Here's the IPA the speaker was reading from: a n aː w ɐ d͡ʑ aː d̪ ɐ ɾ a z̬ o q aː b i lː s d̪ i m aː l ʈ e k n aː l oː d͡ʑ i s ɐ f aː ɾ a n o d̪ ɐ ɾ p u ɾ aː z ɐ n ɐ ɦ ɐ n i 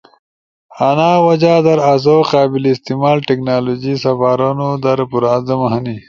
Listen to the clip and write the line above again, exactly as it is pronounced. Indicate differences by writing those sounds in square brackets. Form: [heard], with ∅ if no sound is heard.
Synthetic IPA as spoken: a n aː w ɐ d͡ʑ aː d̪ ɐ ɾ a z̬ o q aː b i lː s [t̪] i m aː l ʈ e k n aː l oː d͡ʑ i s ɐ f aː ɾ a n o d̪ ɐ ɾ p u ɾ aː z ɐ [m] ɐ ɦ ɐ n i